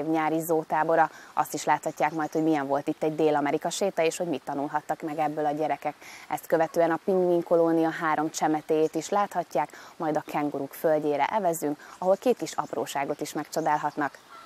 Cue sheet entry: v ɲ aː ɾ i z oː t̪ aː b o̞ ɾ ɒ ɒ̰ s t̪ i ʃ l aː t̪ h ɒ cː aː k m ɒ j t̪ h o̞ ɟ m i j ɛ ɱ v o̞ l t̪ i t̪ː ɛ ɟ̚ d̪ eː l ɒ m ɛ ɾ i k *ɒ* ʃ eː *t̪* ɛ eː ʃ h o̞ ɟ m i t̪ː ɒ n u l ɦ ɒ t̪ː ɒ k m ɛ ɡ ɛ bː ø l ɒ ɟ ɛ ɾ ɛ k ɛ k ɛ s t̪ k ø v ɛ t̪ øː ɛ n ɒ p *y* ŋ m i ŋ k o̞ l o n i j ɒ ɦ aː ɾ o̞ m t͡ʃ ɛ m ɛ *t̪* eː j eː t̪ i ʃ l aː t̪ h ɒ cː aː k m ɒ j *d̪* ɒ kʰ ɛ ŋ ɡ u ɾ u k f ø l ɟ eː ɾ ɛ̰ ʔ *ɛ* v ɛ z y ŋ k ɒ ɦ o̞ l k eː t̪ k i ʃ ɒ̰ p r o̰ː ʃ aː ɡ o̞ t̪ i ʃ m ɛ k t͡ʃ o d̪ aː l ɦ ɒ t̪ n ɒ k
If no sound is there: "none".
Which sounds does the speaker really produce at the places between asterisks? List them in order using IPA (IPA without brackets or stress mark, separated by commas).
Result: ɒ, t̪, i, t̪, d̪, ɛ